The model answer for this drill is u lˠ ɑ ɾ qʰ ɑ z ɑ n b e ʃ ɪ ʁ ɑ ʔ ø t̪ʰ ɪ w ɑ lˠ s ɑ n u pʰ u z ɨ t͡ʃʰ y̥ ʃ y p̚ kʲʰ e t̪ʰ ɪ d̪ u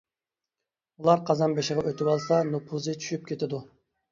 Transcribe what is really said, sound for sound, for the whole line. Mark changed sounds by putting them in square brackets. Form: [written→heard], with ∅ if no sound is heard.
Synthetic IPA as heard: u lˠ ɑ ɾ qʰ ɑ z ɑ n b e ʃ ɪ ʁ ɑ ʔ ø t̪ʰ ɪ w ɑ lˠ s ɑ n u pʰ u z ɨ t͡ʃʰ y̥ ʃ y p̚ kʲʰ e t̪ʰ ɪ d̪ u